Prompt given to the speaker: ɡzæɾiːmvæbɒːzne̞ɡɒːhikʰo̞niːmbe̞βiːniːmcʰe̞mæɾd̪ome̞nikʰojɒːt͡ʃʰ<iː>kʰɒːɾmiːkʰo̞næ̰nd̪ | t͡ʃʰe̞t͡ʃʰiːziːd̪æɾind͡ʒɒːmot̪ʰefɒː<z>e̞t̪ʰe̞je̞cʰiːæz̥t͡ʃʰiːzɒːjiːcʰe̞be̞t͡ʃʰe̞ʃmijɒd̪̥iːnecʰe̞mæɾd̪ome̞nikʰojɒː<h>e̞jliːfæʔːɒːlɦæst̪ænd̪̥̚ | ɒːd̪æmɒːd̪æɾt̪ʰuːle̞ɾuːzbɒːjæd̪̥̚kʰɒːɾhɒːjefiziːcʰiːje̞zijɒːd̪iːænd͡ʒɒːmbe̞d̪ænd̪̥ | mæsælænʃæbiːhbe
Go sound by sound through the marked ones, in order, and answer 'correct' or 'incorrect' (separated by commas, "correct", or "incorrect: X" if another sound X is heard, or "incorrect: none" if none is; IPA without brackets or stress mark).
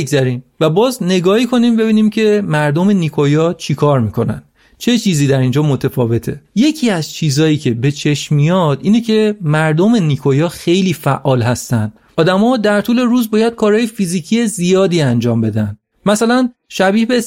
incorrect: i, incorrect: v, incorrect: x